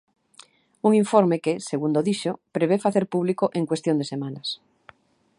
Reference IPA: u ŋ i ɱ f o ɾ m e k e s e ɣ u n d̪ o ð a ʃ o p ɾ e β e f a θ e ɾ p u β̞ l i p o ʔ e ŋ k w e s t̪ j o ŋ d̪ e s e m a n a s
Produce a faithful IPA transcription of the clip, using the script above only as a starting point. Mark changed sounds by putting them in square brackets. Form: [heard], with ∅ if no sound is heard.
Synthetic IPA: u ŋ i ɱ f o ɾ m e k e s e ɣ u n d̪ o ð [i] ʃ o p ɾ e β e f a θ e ɾ p u β̞ l i [k] o ʔ e ŋ k w e s t̪ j o [n] d̪ e s e m a n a s